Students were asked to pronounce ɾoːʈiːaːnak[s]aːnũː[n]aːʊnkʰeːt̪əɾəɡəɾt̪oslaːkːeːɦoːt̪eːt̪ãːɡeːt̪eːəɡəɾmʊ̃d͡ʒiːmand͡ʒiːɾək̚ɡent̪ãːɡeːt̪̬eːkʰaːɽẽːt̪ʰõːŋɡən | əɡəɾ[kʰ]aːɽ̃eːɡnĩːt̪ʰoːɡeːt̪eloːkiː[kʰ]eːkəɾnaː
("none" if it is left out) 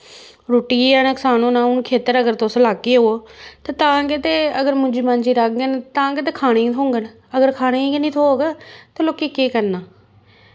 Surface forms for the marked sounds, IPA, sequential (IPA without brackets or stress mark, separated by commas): s, n, kʰ, k